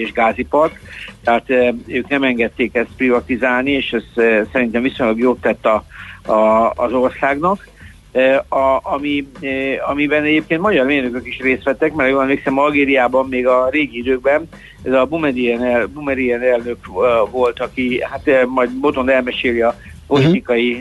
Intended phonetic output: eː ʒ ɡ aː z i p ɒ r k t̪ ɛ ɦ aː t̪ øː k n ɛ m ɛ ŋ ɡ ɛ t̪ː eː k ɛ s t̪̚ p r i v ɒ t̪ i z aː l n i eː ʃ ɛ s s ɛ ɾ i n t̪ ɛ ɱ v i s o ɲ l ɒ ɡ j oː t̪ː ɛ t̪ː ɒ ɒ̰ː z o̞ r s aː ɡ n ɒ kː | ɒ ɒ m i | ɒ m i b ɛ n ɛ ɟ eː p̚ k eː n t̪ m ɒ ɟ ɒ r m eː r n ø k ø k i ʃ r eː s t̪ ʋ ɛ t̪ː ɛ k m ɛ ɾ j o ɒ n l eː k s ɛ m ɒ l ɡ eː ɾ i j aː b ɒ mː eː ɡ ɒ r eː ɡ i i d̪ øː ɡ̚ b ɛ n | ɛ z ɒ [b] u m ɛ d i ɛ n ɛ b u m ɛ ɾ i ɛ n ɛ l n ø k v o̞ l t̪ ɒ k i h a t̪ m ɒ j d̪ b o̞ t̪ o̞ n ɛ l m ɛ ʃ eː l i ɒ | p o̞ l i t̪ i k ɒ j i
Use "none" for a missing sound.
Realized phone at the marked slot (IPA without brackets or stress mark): b